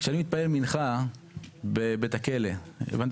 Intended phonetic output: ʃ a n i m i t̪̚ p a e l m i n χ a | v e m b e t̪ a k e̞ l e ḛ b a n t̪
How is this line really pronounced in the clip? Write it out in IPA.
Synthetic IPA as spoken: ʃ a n i m i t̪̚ p a e l m i n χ a | b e b e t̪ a k e̞ l e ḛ v a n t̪